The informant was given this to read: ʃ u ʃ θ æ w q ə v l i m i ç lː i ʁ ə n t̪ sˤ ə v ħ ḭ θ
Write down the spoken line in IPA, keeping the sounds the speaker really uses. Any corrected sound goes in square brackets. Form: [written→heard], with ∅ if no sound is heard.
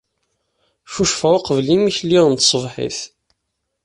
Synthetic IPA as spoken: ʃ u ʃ [θ→f] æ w q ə v l i m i ç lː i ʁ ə n t̪ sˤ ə v ħ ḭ θ

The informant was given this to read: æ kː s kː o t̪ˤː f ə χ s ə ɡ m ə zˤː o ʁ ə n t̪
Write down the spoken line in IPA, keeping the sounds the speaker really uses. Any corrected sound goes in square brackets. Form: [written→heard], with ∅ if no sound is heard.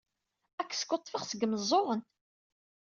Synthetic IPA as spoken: æ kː s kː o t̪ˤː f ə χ s ə ɡ m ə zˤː o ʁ ə n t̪

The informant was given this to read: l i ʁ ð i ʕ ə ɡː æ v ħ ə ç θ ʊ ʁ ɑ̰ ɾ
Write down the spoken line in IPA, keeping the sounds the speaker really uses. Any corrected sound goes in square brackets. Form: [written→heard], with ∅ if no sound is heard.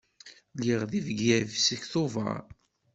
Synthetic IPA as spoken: l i ʁ ð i [ʕ→v] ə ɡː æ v [ħ→s] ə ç θ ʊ [ʁ→v] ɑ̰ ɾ

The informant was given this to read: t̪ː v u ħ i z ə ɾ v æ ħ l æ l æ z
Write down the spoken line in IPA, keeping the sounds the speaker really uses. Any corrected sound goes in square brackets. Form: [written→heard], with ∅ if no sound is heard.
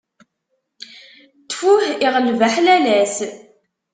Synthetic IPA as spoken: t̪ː [v→f] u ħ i [z→ʁ] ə [ɾ→l] v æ ħ l æ l æ [z→s]

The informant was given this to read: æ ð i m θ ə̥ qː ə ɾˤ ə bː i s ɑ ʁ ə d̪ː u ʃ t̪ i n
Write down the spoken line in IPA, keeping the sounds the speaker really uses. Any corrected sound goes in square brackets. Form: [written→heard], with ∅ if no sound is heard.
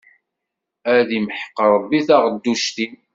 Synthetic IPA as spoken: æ ð i m [θ→ħ] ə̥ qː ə ɾˤ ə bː i [s→θ] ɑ ʁ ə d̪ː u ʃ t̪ i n

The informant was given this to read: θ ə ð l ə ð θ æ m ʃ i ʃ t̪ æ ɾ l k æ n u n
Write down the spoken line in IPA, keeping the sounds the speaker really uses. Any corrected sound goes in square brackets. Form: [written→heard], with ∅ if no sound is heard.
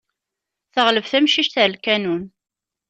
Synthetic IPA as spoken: θ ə [ð→ʁ] l ə [ð→v] θ æ m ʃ i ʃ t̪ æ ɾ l k æ n u n

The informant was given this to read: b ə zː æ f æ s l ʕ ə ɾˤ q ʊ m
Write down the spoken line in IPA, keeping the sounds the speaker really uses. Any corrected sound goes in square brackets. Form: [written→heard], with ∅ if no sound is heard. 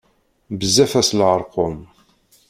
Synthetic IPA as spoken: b ə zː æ f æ s l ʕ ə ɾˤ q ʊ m

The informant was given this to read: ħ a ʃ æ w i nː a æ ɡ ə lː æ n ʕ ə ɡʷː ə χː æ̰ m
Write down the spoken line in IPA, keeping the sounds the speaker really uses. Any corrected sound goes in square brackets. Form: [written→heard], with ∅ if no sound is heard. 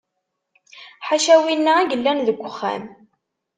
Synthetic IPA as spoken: ħ a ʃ æ w i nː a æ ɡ ə lː æ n [ʕ→ð] ə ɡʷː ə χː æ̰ m

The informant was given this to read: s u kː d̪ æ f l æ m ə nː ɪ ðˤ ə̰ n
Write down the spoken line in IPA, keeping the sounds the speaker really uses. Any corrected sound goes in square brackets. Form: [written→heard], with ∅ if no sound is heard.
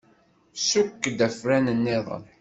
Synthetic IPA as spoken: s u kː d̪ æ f [l→ɾ] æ [m→n] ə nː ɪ ðˤ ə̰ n

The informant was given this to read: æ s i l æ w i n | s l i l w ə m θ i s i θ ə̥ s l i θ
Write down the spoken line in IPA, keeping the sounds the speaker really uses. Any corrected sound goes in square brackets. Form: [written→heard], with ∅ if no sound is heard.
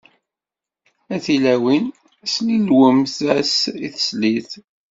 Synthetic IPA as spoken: æ [s→θ] i l æ w i n | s l i l w ə m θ [i→æ] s i θ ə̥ s l i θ

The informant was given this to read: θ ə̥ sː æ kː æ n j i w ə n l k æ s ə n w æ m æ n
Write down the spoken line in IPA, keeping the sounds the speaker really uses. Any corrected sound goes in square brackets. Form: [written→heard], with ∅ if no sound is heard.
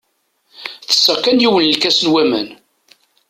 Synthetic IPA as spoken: θ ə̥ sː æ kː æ n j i w ə n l k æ s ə n w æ m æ n

